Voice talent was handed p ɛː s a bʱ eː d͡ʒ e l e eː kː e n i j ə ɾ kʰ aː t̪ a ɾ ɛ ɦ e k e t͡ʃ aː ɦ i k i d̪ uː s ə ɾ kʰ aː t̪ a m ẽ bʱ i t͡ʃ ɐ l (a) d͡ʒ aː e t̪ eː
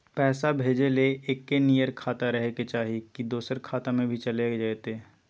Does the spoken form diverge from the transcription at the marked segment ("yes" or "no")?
yes